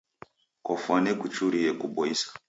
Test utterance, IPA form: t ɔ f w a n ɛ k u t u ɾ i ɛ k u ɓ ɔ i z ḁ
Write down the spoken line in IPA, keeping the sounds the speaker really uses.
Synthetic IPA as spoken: k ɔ f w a n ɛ k u t͡ʃ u ɾ i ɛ k u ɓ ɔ i s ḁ